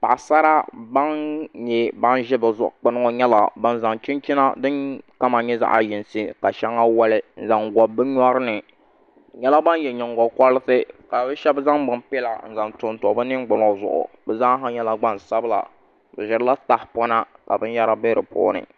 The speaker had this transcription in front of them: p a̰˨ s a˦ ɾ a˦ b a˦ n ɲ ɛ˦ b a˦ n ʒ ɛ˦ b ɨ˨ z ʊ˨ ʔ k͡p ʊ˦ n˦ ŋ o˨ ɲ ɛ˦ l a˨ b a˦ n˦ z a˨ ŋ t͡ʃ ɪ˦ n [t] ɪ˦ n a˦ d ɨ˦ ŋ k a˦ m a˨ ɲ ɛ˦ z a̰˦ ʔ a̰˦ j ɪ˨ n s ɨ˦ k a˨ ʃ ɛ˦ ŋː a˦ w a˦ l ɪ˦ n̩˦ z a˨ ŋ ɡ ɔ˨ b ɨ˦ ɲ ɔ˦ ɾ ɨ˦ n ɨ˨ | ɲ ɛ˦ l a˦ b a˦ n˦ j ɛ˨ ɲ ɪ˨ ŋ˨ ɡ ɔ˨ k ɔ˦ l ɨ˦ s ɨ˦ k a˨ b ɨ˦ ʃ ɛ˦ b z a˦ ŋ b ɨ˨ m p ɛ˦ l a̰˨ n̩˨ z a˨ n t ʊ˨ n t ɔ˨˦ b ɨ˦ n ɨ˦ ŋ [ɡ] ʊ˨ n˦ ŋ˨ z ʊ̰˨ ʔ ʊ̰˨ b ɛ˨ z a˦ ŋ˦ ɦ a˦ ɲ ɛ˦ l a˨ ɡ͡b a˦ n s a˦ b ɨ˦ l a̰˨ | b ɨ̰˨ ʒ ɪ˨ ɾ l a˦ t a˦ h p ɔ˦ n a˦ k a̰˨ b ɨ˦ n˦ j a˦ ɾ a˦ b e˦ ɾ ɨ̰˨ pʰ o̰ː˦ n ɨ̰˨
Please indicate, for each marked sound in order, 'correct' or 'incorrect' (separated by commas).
incorrect, incorrect